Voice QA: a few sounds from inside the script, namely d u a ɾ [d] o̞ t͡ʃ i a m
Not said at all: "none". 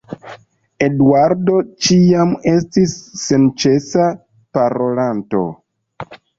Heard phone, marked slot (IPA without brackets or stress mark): d